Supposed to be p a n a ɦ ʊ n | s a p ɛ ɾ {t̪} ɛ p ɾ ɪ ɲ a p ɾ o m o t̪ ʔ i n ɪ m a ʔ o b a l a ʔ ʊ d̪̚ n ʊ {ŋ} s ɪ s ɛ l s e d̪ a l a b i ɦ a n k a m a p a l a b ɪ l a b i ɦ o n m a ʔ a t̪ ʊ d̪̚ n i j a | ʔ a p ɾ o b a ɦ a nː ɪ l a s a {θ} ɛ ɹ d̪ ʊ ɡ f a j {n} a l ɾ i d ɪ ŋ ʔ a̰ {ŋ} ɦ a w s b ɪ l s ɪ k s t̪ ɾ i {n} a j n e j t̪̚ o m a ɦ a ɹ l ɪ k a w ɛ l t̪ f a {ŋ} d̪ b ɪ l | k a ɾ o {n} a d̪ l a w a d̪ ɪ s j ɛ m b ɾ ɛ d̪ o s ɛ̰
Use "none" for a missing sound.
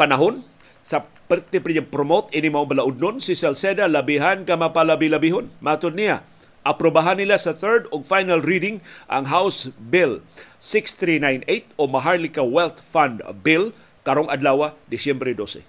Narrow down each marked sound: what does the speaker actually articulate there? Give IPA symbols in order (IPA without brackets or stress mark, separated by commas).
t̪, n, θ, n, ŋ, n, n, ŋ